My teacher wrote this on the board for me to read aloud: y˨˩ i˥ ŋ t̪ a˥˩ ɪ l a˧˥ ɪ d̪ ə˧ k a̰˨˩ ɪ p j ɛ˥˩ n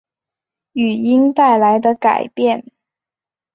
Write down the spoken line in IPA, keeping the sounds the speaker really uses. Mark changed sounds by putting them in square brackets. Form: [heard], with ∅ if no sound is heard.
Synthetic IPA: y˨˩ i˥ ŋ t̪ a˥˩ ɪ l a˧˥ ɪ d̪ ə˧ k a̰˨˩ ɪ p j ɛ˥˩ n